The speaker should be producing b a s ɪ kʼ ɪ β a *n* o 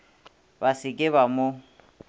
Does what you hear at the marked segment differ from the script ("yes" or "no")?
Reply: yes